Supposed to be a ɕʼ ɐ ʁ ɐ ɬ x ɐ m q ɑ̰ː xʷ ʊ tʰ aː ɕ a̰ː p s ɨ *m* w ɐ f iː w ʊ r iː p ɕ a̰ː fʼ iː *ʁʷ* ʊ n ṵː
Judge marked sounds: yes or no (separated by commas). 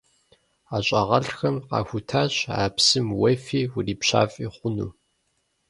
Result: yes, no